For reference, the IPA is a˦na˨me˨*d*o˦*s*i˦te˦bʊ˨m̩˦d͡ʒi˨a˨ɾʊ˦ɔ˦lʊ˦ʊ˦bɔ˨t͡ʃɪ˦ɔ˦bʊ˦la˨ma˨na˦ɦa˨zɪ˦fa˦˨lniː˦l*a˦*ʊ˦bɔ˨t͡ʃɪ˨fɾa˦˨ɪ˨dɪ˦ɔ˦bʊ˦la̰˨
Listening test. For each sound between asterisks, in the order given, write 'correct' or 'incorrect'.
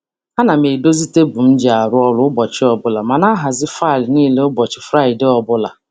correct, incorrect, incorrect

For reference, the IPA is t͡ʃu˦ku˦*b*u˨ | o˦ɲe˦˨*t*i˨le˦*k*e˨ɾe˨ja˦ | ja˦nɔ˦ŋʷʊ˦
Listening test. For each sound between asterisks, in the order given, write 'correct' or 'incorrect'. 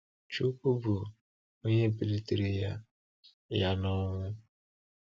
correct, incorrect, incorrect

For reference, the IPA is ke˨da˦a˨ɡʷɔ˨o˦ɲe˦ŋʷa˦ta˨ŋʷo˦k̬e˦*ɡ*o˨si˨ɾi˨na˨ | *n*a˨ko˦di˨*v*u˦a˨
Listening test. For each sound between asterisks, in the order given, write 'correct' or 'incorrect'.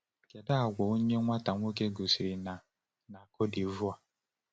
correct, correct, correct

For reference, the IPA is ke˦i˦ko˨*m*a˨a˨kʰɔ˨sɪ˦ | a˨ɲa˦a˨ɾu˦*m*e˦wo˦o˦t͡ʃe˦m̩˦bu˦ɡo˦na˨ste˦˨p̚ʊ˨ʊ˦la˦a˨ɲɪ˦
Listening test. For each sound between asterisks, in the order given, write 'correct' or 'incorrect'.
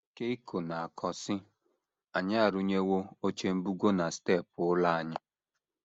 incorrect, incorrect

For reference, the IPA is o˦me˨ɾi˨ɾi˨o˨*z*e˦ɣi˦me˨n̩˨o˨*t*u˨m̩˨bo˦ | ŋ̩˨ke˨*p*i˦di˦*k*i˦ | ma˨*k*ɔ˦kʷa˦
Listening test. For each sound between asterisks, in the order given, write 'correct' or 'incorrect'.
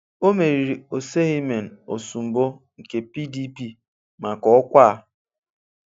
incorrect, incorrect, correct, incorrect, correct

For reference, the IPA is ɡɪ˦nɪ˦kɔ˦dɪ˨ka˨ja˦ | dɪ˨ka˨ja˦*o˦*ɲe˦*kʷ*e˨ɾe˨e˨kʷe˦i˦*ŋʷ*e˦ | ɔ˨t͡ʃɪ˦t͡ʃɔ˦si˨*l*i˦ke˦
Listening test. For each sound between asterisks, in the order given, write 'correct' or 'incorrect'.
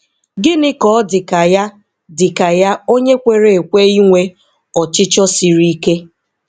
correct, correct, correct, incorrect

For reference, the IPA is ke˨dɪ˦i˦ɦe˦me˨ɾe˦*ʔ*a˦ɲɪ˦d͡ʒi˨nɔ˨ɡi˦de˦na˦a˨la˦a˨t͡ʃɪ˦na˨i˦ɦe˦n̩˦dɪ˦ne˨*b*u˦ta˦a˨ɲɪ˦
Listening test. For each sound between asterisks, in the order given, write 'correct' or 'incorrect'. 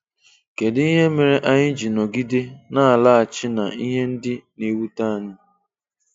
correct, incorrect

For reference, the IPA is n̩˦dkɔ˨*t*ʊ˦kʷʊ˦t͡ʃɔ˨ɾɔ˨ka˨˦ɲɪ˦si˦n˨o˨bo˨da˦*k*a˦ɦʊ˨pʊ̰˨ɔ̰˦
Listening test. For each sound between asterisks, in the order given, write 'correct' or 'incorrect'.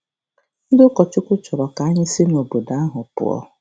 incorrect, incorrect

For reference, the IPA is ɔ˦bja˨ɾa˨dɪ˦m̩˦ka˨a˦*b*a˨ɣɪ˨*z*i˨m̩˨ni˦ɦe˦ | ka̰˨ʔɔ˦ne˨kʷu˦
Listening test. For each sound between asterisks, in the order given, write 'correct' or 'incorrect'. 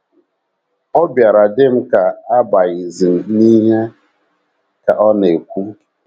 correct, correct

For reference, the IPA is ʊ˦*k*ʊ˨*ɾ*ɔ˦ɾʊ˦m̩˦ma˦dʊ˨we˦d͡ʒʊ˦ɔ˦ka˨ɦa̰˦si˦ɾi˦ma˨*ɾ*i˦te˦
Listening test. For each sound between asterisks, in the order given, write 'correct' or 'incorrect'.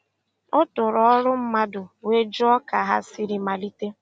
incorrect, correct, incorrect

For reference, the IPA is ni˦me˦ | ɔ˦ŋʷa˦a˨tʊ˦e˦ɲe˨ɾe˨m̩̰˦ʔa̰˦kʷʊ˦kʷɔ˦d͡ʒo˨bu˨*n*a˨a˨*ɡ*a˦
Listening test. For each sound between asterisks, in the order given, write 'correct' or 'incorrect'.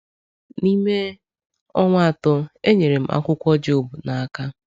correct, incorrect

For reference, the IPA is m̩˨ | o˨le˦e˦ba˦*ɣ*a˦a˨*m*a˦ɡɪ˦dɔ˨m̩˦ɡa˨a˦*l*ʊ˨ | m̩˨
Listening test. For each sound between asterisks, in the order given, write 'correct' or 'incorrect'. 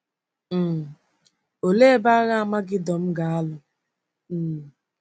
correct, correct, correct

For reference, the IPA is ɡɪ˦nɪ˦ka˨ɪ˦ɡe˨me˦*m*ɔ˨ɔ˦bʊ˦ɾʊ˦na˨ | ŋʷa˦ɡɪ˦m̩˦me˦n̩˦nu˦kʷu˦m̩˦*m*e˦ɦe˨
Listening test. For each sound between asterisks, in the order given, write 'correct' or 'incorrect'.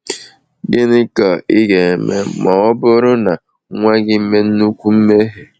correct, correct

